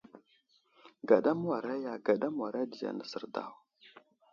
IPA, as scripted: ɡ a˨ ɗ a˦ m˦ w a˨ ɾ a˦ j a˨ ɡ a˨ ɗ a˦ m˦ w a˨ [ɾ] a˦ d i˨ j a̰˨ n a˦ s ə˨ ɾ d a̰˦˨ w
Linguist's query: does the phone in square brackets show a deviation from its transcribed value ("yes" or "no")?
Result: no